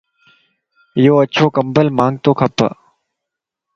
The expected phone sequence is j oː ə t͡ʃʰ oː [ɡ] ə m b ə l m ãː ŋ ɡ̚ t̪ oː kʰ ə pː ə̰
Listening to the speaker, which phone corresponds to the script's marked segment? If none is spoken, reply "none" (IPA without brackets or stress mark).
k